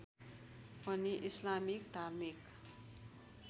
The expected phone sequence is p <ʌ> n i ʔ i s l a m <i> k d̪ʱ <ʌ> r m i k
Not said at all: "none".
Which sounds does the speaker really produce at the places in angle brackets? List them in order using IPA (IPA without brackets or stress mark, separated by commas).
ʌ, i, a